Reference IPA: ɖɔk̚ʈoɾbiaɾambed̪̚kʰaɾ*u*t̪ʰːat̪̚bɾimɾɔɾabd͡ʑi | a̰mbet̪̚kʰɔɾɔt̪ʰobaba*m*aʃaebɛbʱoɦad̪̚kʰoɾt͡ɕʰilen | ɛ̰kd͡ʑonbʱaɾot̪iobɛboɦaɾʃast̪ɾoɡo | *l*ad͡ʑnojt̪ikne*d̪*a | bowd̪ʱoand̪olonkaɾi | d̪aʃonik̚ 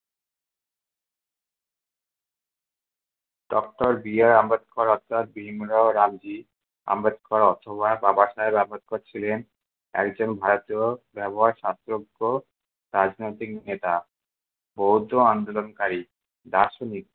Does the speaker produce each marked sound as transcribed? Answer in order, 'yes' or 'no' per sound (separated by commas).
no, no, no, no